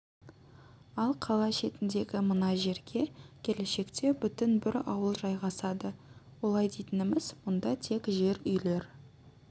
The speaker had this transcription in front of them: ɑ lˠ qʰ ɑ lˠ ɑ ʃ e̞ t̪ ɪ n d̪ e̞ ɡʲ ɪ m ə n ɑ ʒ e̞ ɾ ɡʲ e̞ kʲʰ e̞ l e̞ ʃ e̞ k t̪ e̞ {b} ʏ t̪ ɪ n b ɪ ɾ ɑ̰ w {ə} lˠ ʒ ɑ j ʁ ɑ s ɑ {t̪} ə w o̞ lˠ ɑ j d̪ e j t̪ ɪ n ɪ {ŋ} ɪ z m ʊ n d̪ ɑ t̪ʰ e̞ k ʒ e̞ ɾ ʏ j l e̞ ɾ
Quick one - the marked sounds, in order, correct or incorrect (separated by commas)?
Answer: correct, correct, incorrect, incorrect